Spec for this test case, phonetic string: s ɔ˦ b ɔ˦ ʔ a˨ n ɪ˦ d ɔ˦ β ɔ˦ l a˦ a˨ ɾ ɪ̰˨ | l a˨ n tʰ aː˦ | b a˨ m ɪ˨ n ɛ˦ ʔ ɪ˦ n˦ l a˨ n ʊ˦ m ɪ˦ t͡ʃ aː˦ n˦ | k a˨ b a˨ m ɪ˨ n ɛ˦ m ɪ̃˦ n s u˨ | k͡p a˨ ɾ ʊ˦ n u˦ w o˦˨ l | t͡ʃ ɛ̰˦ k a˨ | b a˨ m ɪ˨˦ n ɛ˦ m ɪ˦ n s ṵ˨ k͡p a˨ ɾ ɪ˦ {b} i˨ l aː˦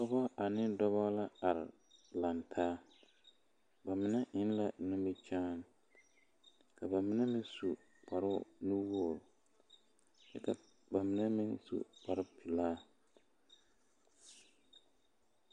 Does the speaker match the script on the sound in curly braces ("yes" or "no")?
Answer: no